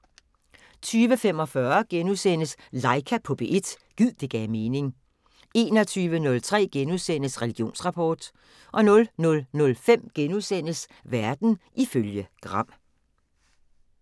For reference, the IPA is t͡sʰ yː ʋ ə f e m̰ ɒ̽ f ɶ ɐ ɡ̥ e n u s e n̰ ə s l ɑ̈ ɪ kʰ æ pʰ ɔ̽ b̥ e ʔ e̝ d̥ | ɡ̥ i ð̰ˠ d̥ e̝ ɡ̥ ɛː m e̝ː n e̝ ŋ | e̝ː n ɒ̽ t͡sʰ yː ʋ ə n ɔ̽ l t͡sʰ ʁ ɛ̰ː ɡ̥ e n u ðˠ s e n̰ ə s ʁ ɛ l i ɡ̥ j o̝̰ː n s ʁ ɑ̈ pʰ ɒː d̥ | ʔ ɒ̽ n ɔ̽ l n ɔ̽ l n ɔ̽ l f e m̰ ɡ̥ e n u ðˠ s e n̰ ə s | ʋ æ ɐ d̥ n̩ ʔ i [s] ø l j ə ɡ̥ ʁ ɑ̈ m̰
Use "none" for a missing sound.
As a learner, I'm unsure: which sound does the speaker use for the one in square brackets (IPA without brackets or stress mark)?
f